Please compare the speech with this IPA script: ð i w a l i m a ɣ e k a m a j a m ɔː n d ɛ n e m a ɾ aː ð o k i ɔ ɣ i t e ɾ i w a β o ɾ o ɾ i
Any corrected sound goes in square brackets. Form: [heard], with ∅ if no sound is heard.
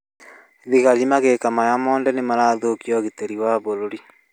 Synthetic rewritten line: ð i [ɣ] a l i m a ɣ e k a m a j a m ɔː n d ɛ n e m a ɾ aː ð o k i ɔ ɣ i t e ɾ i w a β o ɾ o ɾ i